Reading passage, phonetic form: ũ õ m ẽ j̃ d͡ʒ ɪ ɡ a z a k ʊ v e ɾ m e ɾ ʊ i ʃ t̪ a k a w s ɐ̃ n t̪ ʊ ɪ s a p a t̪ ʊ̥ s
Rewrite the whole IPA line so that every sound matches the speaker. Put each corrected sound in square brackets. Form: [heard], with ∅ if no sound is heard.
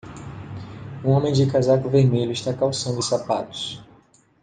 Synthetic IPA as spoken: ũ õ m ẽ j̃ d͡ʒ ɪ [k] a z a k ʊ v e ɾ m e [ʎ] ʊ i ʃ t̪ a k a w s ɐ̃ n [d̪] ʊ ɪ s a p a t̪ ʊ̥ s